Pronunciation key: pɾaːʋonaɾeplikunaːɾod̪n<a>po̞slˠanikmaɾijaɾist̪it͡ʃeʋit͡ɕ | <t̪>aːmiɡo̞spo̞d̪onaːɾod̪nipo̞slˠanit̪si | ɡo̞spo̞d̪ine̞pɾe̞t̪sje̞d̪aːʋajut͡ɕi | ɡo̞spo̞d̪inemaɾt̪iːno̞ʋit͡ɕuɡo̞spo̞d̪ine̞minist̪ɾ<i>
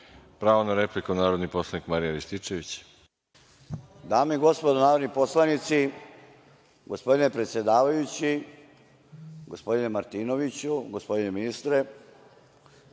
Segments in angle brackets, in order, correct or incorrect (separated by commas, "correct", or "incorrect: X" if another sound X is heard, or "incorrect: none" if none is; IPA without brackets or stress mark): incorrect: i, incorrect: d̪, incorrect: e